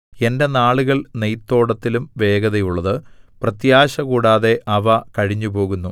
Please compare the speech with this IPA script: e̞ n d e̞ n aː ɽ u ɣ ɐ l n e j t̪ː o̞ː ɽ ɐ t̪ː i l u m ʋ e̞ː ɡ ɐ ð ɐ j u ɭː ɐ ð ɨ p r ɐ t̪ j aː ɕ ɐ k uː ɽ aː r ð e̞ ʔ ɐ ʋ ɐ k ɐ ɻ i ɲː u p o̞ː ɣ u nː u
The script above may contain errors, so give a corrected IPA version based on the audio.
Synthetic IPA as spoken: e̞ n d e̞ n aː ɭ u ɣ ɐ ɭ n e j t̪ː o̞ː ɽ ɐ t̪ː i l u m ʋ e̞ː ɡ ɐ ð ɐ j u ɭː ɐ ð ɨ p r ɐ t̪ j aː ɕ ɐ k uː ɽ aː ð e̞ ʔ ɐ ʋ ɐ k ɐ ɻ i ɲː u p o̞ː ɣ u nː u